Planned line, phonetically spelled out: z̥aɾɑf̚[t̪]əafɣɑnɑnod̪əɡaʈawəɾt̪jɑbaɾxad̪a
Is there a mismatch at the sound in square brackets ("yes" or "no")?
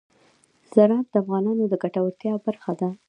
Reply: yes